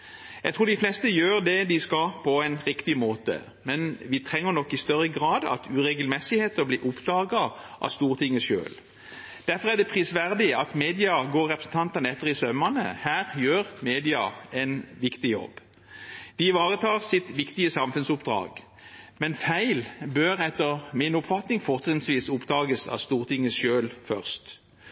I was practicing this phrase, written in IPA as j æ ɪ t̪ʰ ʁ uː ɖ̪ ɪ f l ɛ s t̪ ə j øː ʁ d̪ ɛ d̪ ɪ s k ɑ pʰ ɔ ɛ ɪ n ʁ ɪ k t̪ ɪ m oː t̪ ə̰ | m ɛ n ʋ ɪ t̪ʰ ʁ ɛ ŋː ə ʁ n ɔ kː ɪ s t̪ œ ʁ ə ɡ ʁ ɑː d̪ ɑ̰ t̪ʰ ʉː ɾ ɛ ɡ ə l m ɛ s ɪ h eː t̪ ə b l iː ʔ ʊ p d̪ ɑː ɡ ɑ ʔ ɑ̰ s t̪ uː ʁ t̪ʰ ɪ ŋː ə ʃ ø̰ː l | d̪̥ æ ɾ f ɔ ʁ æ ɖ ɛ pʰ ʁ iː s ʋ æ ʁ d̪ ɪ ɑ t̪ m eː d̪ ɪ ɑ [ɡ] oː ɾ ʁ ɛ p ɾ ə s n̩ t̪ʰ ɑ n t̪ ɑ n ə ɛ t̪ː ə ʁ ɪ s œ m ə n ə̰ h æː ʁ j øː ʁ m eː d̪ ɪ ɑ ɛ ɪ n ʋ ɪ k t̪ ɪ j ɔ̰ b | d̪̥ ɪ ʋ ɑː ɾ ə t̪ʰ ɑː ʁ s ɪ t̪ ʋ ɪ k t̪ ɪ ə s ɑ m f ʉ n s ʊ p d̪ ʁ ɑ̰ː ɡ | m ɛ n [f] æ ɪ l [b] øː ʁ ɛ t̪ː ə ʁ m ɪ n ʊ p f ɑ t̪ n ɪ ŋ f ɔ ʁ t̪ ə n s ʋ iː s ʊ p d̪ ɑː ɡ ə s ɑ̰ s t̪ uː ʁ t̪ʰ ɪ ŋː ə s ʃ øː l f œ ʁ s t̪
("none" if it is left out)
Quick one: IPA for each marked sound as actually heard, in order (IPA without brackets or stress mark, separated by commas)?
ɡ, f, b